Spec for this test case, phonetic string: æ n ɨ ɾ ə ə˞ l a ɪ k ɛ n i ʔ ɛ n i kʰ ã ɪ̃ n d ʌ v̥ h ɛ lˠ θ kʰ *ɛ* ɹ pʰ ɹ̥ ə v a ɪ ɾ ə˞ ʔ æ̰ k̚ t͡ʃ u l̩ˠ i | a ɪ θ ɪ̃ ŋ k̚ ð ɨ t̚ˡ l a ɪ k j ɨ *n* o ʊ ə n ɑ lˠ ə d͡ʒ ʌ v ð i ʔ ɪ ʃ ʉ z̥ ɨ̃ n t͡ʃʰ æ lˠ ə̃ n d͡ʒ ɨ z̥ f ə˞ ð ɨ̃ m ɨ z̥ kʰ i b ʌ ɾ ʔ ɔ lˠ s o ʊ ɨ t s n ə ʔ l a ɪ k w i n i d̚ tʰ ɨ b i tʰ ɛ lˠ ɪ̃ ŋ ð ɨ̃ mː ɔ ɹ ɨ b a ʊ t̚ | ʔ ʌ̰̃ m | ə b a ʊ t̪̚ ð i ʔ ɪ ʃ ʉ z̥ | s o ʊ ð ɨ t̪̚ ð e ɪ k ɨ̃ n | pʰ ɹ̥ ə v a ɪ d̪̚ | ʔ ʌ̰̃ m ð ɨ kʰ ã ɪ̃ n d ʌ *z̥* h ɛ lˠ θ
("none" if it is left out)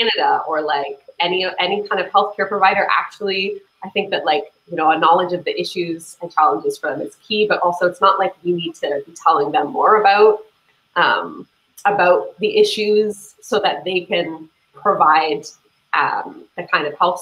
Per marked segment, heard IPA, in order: ɛ, n, v̥

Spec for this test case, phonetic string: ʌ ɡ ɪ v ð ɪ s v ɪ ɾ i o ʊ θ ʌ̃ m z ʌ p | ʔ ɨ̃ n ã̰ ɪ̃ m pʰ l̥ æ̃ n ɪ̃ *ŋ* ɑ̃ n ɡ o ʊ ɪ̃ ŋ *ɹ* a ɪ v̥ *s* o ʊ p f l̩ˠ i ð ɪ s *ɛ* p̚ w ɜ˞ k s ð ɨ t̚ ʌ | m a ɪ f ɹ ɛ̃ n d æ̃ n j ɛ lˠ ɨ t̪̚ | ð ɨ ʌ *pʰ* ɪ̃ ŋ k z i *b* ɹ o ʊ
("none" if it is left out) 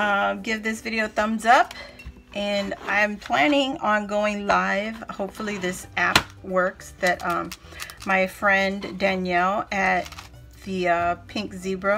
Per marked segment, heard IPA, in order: ŋ, l, h, æ, pʰ, b

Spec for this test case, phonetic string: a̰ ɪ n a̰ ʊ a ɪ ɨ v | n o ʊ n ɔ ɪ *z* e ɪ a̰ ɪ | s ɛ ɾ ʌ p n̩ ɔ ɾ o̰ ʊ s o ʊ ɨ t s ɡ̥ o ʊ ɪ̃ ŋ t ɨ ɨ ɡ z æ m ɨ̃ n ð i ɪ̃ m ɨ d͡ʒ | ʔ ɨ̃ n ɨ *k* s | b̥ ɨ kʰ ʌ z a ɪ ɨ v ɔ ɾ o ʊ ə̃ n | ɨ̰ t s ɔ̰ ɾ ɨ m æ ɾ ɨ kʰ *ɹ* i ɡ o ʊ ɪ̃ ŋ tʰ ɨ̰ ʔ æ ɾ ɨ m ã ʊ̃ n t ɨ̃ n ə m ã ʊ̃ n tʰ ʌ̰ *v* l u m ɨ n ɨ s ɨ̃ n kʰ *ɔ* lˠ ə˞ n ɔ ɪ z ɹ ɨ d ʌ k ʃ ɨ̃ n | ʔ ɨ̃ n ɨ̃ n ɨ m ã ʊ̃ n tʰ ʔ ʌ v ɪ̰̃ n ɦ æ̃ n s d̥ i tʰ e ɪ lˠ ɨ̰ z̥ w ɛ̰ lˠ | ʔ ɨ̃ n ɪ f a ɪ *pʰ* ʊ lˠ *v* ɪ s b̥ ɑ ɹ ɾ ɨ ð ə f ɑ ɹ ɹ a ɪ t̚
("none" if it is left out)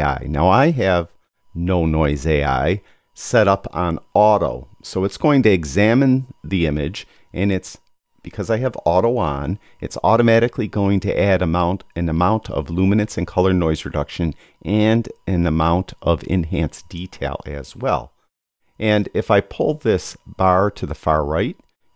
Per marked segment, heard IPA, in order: z, t, l, v, ʌ, pʰ, ð

